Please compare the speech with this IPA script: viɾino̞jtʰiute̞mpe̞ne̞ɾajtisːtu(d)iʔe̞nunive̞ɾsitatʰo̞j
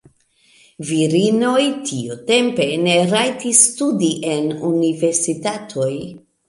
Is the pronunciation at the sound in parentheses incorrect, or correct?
correct